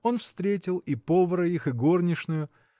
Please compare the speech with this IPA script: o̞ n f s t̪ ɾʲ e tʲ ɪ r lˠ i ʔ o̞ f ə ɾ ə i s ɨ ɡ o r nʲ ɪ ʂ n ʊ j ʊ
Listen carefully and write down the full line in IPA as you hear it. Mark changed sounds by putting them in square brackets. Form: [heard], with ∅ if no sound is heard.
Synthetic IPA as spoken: o̞ n f s t̪ ɾʲ e tʲ ɪ [∅] lˠ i [p] o̞ [v] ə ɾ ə i [x] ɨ ɡ o r nʲ ɪ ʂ n ʊ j ʊ

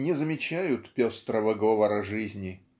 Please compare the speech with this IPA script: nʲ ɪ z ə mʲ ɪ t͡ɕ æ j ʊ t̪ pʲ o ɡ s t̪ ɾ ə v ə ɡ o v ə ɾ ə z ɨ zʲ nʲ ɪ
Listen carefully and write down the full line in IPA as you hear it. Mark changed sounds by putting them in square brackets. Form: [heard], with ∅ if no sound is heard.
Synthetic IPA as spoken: nʲ ɪ z ə mʲ ɪ t͡ɕ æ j ʊ t̪ pʲ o [∅] s t̪ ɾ ə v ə ɡ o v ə ɾ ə [ʐ] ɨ zʲ nʲ ɪ

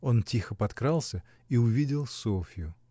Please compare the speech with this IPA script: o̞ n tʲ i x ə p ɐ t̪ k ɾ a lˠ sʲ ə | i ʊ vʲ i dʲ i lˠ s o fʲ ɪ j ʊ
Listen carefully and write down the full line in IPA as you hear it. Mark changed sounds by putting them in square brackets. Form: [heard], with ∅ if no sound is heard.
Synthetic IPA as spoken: o̞ n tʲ i x ə p ɐ t̪ k ɾ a lˠ sʲ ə | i ʊ vʲ i dʲ [ɪ] lˠ s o fʲ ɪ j ʊ

